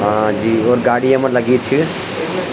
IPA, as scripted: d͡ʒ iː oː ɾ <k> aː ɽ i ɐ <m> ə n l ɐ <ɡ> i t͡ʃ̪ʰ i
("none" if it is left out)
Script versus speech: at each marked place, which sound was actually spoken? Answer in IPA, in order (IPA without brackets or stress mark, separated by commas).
ɡ, m, ɡ